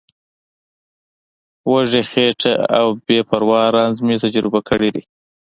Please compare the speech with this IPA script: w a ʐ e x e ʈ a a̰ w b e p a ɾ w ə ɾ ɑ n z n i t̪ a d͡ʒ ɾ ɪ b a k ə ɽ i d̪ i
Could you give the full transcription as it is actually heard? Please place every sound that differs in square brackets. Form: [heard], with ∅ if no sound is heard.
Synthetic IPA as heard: w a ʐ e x e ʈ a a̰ w b e p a ɾ w [ɑ] ɾ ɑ n z [m] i t̪ a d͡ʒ ɾ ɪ b a k ə ɽ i d̪ i